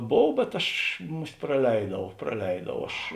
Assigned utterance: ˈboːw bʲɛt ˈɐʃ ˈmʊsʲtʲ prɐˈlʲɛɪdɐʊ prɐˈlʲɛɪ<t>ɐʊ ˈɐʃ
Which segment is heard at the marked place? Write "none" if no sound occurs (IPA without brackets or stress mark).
d